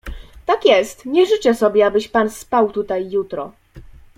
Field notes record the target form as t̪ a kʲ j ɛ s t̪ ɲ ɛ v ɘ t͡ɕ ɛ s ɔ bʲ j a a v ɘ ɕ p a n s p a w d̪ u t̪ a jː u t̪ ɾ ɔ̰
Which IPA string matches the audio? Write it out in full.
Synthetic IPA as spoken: t̪ a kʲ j ɛ s t̪ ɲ ɛ ʐ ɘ t͡ɕ ɛ s ɔ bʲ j ɛ a b ɘ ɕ p a n s p a w t̪ u t̪ a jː u t̪ ɾ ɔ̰